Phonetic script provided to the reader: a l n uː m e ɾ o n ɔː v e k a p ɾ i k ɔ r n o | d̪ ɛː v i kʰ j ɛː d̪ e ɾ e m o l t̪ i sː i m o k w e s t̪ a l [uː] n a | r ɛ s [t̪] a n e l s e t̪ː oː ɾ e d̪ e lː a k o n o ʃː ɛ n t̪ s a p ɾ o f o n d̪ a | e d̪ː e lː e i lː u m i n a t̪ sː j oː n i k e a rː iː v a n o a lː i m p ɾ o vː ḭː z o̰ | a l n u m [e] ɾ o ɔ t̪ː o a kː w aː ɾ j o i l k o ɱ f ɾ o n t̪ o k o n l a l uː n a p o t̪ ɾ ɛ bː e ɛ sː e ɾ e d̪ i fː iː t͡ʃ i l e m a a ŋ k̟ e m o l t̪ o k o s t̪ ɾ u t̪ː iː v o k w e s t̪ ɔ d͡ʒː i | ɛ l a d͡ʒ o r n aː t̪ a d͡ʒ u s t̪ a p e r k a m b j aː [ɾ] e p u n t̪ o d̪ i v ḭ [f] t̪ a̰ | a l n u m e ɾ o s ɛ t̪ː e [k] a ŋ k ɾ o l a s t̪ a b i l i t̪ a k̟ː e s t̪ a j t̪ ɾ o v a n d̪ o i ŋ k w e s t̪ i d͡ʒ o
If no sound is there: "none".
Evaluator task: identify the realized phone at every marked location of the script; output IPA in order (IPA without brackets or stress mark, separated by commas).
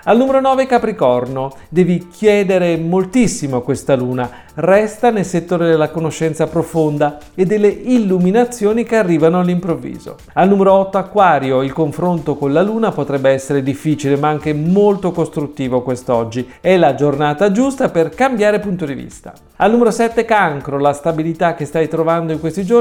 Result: uː, t̪, e, ɾ, s, k